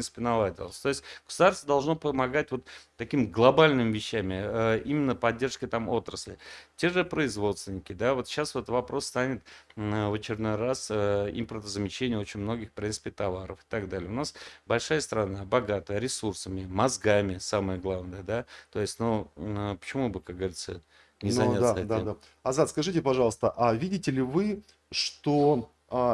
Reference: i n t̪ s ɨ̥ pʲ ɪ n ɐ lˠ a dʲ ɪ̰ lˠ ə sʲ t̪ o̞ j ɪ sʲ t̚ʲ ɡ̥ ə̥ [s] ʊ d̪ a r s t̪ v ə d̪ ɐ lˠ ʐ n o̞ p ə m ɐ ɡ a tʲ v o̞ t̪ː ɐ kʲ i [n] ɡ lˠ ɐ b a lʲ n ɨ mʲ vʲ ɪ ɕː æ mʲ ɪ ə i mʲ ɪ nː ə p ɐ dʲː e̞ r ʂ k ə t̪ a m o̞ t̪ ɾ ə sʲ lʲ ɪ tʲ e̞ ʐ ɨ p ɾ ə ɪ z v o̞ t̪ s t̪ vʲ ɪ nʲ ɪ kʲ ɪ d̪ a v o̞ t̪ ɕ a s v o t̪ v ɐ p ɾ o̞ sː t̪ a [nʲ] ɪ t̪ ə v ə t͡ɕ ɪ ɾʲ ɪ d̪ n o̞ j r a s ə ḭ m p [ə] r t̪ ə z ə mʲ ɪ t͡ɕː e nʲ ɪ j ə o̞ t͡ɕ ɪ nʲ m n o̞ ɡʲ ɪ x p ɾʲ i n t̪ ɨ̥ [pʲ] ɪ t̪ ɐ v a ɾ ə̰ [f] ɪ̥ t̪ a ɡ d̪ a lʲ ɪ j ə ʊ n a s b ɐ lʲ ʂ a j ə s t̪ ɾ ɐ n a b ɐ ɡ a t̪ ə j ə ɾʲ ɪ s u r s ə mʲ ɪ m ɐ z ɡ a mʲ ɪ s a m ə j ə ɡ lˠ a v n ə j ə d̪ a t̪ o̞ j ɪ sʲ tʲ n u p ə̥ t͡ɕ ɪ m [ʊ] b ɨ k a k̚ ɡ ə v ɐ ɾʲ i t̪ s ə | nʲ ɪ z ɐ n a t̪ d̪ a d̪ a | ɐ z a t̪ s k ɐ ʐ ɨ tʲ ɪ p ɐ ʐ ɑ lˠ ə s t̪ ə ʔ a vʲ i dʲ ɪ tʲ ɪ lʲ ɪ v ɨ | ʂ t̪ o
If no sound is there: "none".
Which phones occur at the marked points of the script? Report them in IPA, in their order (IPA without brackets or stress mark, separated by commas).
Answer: s, m, nʲ, ə, pʲ, f, u